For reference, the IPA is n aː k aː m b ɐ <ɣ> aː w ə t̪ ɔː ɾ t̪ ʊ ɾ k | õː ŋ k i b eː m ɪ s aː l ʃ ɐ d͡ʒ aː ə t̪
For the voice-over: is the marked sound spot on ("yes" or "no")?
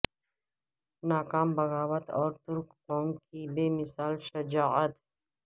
yes